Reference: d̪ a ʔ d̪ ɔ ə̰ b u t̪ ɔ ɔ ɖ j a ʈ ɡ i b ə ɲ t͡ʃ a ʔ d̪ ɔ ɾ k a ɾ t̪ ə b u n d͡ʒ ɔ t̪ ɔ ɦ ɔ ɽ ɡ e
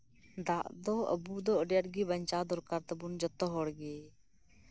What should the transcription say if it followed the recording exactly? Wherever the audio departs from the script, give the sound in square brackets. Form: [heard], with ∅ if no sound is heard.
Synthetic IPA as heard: d̪ a ʔ d̪ ɔ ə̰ b u [d̪] ɔ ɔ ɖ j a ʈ ɡ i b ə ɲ t͡ʃ a [∅] d̪ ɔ ɾ k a ɾ t̪ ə b u n d͡ʒ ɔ t̪ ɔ ɦ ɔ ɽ ɡ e